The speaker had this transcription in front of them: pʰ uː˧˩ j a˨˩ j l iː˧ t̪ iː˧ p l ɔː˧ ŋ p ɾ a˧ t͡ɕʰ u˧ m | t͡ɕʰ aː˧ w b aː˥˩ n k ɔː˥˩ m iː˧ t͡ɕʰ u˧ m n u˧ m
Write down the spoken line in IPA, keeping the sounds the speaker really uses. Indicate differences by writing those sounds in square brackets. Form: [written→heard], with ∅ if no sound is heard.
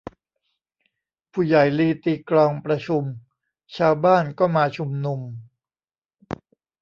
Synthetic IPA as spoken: pʰ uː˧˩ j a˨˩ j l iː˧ t̪ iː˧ [p→k] l ɔː˧ ŋ p ɾ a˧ t͡ɕʰ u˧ m | t͡ɕʰ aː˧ w b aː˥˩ n k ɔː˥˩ m [iː˧→aː˧] t͡ɕʰ u˧ m n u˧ m